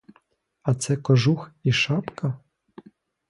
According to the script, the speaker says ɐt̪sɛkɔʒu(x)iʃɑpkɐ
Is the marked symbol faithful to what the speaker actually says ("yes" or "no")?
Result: yes